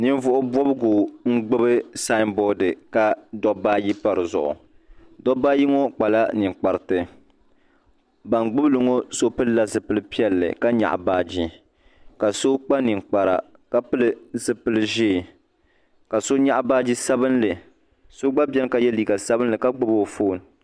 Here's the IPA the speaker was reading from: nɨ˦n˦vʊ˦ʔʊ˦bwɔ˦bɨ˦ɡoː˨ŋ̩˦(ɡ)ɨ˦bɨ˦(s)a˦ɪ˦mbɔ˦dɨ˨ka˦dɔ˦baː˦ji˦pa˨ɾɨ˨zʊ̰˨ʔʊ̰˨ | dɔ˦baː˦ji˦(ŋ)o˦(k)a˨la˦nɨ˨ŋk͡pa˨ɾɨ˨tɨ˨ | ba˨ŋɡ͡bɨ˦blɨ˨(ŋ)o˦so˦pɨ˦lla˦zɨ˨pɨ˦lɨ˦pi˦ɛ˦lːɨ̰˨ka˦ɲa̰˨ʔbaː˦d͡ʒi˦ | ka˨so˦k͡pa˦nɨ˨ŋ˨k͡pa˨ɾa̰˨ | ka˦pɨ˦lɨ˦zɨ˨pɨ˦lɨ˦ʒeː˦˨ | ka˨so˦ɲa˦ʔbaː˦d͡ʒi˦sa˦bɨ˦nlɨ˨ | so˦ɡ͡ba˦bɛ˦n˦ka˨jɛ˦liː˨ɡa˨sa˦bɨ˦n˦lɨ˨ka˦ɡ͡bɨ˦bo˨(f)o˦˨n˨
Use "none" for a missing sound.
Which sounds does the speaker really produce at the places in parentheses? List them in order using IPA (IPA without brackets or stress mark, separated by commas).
ɡ͡b, s, ŋ, k͡p, ŋ, f